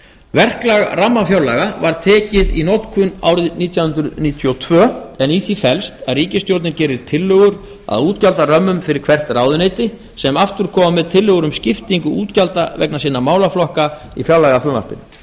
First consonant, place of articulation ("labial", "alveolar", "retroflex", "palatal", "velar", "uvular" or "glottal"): labial